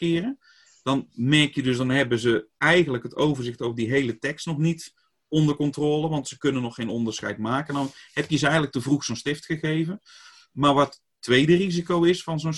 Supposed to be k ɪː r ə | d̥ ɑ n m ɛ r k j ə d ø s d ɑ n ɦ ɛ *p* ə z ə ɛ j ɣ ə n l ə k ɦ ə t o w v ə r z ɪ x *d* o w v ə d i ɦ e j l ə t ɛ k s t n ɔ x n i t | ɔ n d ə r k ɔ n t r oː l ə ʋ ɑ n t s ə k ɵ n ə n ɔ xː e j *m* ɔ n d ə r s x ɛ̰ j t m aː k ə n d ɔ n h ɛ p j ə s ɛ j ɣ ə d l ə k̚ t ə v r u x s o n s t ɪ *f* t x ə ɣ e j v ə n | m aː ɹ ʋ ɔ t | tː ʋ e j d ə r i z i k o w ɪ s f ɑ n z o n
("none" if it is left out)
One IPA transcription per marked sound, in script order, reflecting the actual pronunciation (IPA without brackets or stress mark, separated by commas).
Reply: b, t, n, f